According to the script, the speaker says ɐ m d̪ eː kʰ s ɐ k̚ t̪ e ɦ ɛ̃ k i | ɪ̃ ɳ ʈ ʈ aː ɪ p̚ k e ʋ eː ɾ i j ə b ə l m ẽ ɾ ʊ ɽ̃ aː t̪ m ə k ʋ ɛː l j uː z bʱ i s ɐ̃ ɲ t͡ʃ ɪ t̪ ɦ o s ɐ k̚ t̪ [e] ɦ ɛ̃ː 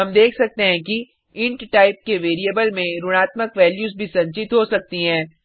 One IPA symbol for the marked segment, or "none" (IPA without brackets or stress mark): i